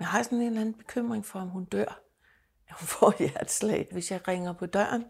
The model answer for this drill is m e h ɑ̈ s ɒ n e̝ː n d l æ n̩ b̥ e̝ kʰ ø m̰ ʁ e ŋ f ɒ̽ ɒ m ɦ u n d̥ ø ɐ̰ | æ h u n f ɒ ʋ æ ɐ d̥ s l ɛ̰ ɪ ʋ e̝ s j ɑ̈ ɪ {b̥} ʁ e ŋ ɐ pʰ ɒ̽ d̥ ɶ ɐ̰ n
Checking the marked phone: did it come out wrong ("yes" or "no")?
yes